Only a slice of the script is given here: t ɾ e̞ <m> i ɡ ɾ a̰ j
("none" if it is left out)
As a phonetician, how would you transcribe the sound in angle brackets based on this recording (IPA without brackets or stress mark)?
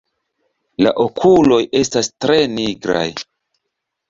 n